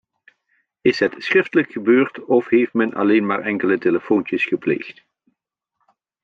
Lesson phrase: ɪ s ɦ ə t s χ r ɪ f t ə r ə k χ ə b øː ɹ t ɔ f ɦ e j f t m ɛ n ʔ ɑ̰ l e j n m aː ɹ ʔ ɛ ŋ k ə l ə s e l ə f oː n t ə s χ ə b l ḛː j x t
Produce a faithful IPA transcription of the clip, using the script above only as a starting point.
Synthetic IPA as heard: ɪ s ɦ ə t s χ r ɪ f t ə l ə k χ ə b øː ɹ t ɔ f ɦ e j f t m ɛ n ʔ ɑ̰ l e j n m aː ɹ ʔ ɛ ŋ k ə l ə t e l ə f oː n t ə s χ ə p l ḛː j x t